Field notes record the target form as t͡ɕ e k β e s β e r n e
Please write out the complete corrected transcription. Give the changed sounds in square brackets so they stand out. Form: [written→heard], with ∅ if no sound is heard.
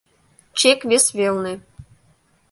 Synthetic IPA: t͡ɕ e k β e s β e [r→l] n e

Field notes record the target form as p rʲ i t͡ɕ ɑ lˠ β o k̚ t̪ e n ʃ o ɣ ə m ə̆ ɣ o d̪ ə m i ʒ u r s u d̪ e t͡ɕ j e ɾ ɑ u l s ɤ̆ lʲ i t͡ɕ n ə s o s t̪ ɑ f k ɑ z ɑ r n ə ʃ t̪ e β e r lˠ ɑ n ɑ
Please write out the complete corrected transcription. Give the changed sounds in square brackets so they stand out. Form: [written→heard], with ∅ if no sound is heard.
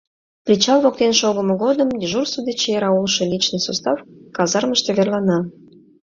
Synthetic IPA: p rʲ i t͡ɕ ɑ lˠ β o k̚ t̪ e n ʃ o ɣ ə m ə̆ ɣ o d̪ ə m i ʒ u r s u d̪ e t͡ɕ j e ɾ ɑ u l [s→ʃ] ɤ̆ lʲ i t͡ɕ n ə s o s t̪ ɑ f k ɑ z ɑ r [n→m] ə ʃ t̪ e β e r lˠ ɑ n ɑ

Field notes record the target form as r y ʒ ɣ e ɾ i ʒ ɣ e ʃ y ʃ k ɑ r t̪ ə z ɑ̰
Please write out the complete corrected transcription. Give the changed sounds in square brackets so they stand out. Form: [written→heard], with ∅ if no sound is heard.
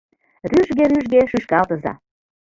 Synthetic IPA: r y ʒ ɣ e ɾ [i→y] ʒ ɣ e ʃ y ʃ k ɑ [r→l] t̪ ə z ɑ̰

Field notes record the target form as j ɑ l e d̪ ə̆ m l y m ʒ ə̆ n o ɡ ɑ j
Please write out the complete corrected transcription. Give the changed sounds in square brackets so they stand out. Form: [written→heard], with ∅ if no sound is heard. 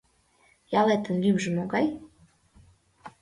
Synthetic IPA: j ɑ l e [d̪→t̪] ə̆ [m→n] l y m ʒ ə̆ [n→m] o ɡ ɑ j

